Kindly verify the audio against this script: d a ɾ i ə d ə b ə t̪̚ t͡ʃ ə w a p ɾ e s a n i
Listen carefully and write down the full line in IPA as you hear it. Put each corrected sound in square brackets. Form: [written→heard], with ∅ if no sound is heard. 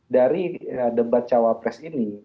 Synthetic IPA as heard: d a ɾ i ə d ə b [ə→a] t̪̚ t͡ʃ [ə→a] w a p ɾ [e→ɛ] s [a→i] n i